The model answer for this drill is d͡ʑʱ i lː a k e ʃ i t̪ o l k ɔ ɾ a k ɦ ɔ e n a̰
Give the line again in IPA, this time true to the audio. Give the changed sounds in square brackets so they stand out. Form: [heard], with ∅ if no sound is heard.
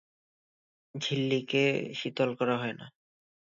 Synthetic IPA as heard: d͡ʑʱ i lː [i] k e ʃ i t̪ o l k ɔ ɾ a [∅] ɦ ɔ e n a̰